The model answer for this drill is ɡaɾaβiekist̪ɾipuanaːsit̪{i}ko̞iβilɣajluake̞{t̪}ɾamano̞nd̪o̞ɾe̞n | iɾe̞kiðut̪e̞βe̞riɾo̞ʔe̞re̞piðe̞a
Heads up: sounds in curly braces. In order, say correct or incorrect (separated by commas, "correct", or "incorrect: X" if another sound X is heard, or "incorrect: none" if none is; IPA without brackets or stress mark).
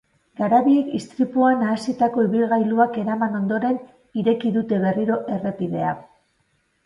incorrect: a, incorrect: none